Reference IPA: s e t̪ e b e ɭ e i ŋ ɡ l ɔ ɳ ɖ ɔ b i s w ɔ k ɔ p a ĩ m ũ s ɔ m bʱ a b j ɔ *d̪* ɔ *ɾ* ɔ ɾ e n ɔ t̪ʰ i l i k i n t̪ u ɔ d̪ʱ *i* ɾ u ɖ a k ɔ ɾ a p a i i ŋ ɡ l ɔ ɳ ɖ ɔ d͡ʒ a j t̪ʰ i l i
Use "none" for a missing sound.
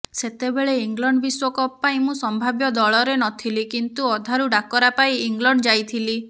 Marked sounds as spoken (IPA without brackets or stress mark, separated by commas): d̪, ɭ, a